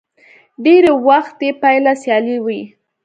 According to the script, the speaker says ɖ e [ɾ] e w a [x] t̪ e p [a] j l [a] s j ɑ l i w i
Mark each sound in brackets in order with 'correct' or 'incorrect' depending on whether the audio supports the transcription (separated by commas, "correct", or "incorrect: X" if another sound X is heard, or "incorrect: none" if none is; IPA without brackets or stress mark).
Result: correct, correct, correct, correct